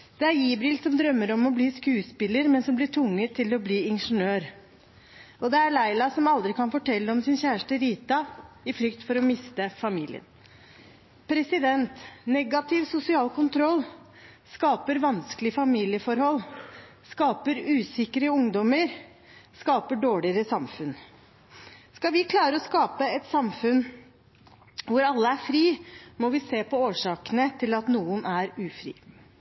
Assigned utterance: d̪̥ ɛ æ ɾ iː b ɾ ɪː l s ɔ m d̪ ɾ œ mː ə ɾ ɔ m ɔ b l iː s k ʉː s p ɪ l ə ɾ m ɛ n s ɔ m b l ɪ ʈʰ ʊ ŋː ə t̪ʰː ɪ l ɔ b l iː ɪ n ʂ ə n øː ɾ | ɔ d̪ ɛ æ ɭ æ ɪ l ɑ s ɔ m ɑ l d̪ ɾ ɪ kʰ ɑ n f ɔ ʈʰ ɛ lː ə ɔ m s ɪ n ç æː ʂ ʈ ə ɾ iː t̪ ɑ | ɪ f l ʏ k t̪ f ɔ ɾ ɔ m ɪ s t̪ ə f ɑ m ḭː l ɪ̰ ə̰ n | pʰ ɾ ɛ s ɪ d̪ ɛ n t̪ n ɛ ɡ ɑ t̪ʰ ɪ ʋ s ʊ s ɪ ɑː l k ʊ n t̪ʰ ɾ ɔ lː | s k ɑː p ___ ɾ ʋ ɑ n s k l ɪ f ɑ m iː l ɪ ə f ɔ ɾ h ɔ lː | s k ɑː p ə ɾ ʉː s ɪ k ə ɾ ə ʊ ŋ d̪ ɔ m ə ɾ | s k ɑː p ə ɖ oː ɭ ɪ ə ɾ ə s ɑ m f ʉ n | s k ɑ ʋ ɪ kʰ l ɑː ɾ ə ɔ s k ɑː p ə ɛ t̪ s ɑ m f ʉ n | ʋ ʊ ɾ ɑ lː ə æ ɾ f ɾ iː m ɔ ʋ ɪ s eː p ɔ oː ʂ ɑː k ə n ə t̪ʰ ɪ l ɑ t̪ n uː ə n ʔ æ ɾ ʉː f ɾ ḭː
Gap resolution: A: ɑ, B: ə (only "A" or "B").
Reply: B